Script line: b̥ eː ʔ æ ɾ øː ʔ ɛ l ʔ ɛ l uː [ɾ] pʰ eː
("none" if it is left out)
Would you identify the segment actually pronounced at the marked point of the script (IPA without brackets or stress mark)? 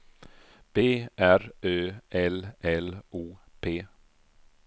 none